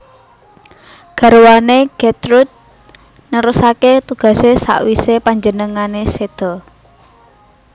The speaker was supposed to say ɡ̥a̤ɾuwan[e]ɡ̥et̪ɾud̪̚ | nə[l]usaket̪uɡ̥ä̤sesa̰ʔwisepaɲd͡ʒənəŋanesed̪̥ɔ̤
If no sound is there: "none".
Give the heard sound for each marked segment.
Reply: e, ɾ

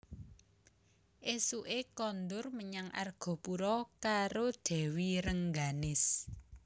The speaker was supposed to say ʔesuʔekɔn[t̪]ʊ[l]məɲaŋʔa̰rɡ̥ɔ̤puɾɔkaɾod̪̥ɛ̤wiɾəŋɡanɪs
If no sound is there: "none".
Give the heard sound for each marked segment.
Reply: d̪, r

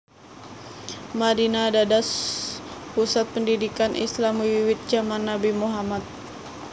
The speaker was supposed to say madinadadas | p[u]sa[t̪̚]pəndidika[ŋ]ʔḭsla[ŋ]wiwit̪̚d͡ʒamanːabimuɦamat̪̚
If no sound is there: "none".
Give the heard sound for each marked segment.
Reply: u, t̪̚, n, m

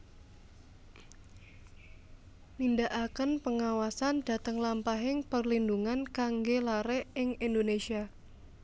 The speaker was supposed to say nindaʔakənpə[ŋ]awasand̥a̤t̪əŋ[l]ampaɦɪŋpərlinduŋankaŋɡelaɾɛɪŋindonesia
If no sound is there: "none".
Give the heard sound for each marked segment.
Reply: ŋ, l

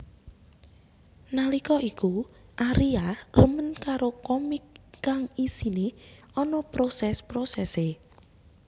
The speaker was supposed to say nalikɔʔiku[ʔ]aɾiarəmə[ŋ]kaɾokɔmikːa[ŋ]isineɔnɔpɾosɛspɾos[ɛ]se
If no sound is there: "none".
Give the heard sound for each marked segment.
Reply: ʔ, n, ŋ, ɛ

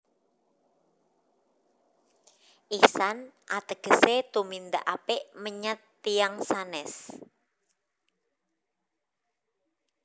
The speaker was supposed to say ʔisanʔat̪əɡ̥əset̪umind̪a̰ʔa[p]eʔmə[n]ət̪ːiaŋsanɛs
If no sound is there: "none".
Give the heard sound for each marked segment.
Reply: p, ɲ

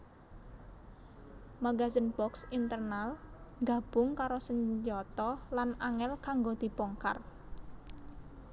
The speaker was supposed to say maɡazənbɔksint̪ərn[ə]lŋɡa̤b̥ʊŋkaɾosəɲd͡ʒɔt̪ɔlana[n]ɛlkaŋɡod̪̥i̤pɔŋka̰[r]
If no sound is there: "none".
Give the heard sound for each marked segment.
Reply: a, ŋ, r

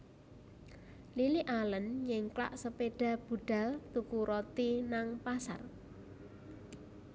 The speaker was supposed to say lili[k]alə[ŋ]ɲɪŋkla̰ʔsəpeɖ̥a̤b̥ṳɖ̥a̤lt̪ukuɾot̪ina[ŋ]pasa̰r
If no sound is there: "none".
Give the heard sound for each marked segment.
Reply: ʔ, n, ŋ

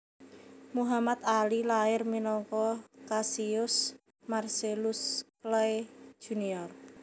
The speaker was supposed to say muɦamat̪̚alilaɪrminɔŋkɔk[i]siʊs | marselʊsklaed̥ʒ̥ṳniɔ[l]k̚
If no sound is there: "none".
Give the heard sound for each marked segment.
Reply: a, r

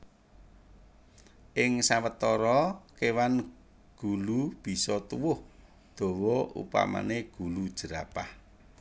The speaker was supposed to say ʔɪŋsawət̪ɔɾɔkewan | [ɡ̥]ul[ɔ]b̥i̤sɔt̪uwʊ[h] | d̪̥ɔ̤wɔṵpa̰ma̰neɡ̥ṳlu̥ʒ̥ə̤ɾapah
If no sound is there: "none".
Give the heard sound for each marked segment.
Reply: ɡ̥, u, h

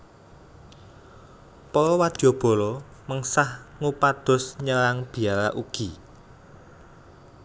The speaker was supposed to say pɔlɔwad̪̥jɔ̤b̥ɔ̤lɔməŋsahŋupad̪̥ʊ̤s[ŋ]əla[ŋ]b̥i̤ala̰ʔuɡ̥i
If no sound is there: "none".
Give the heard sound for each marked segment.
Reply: ɲ, ŋ

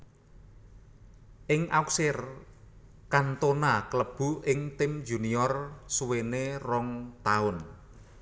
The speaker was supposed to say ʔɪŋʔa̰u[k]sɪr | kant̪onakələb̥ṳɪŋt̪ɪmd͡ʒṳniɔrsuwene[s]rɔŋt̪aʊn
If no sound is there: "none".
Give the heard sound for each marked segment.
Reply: k, none

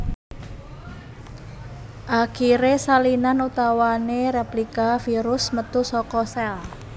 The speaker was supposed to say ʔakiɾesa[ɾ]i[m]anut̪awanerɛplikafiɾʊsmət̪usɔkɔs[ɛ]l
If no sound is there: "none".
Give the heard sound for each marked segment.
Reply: l, n, ɛ

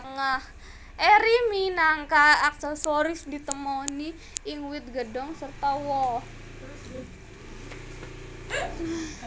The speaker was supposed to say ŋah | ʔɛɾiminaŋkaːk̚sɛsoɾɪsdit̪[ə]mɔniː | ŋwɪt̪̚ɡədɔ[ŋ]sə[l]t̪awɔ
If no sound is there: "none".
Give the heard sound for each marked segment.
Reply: ə, ŋ, r

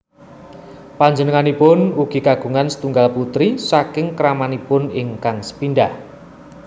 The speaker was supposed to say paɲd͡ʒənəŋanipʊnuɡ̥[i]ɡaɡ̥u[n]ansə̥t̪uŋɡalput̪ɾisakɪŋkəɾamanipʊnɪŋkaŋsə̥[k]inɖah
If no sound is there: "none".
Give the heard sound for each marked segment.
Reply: i, ŋ, p

